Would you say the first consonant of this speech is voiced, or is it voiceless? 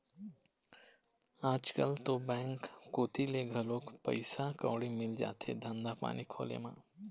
voiced